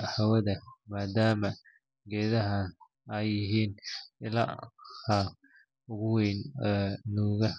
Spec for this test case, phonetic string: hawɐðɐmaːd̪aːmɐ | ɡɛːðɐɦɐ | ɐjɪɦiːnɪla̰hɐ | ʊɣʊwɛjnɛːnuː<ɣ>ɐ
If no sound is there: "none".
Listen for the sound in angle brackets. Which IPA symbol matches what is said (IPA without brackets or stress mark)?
ɣ